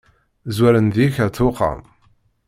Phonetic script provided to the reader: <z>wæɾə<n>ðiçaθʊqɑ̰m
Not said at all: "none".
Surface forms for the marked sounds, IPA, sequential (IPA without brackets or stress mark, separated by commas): z, n